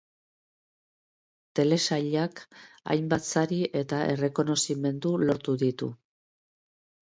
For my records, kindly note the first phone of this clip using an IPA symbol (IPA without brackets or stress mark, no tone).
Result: t̪